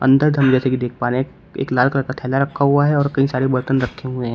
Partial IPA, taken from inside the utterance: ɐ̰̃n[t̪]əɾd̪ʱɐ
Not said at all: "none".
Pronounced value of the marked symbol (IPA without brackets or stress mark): d̪